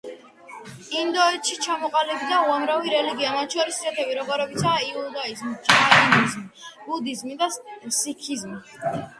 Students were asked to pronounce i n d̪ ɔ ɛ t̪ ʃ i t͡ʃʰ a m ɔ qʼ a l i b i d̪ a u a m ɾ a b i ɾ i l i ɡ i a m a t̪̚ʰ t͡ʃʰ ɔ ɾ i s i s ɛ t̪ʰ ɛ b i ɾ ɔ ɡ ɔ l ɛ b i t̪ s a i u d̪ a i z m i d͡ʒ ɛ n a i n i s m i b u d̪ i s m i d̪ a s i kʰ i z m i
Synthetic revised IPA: i n d̪ ɔ ɛ t̪ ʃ i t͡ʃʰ a m ɔ qʼ a l i b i d̪ a u a m ɾ a v i ɾ ɛ l i ɡ i a m a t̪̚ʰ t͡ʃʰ ɔ ɾ i s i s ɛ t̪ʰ ɛ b i ɾ ɔ ɡ ɔ ɾ ɛ b i t̪ s a i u d̪ a i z m i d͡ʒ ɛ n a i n i z m i b u d̪ i z m i d̪ a s i kʰ i z m i